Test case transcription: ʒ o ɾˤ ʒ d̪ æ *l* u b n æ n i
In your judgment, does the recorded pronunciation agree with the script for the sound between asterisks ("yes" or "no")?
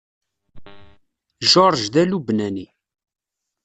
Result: yes